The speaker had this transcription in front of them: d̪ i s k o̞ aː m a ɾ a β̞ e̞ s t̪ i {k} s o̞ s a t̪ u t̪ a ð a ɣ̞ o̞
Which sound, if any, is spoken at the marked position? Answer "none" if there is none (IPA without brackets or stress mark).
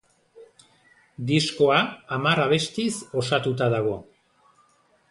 none